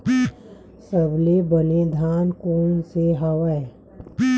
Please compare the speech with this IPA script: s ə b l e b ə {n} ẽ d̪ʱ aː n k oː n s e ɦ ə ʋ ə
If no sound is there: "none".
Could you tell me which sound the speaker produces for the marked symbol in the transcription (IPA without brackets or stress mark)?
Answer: n